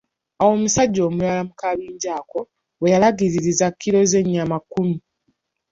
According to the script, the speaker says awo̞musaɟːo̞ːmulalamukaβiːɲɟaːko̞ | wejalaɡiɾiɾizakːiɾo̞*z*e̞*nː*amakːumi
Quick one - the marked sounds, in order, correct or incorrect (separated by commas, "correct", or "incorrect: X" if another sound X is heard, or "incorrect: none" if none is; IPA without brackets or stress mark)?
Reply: correct, incorrect: ɲː